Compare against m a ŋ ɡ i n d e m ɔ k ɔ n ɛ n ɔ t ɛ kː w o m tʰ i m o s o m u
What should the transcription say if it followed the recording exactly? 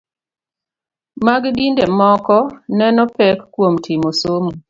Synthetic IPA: m a ɡ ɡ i n d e m ɔ k ɔ n ɛ n ɔ p ɛ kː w o m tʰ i m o s o m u